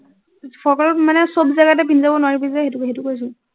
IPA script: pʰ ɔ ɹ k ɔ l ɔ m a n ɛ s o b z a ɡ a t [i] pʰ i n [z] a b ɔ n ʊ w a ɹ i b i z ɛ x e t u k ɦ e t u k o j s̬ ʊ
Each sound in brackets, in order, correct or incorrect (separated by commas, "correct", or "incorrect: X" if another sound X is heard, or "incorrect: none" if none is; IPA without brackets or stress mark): incorrect: ɛ, correct